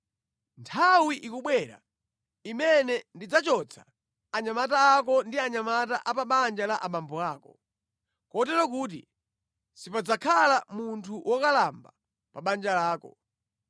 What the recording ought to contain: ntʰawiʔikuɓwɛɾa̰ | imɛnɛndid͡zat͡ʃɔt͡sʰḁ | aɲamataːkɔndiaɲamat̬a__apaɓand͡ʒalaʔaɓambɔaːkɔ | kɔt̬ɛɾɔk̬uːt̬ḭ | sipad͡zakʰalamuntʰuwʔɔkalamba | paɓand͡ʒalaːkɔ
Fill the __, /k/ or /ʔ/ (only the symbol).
ʔ